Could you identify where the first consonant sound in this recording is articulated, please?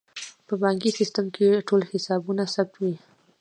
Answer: labial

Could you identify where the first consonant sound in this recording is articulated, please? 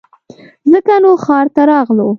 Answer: alveolar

